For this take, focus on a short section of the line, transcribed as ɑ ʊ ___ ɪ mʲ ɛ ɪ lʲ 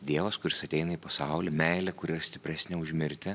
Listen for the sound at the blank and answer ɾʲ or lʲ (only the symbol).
lʲ